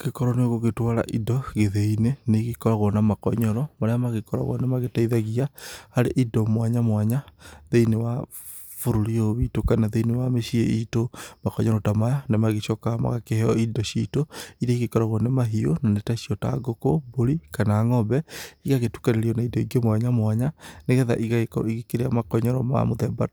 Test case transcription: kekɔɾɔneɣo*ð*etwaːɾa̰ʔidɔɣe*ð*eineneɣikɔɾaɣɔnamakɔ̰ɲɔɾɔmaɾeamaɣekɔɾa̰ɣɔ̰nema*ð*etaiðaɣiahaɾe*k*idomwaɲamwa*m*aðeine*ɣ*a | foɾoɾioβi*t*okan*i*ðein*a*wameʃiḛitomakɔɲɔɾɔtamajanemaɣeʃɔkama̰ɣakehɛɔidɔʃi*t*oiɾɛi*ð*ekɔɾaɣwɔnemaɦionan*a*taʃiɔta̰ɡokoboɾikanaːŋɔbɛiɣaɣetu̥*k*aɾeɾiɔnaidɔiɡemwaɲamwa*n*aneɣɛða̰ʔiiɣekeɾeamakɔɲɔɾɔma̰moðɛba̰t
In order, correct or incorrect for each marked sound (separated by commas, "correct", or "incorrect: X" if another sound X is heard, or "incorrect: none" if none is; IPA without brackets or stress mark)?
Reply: incorrect: ɣ, correct, incorrect: ɣ, incorrect: ʔ, incorrect: ɲ, incorrect: w, correct, incorrect: a, incorrect: e, correct, incorrect: ɣ, incorrect: e, correct, incorrect: ɲ